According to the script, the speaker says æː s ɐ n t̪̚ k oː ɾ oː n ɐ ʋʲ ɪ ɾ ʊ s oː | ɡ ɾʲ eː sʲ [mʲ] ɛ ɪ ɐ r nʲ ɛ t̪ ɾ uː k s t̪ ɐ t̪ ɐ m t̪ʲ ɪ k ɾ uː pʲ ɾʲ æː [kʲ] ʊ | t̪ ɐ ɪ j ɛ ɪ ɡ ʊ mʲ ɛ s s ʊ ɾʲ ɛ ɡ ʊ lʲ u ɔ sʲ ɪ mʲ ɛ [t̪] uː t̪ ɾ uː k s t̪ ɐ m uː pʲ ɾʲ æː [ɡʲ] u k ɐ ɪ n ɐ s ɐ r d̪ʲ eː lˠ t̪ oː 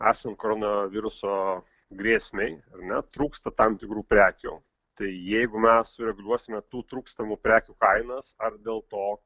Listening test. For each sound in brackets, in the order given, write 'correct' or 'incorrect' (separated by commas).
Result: correct, correct, correct, incorrect